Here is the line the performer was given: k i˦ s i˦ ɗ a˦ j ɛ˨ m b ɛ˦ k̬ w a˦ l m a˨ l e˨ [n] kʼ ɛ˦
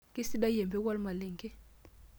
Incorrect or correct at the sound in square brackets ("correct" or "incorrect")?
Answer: incorrect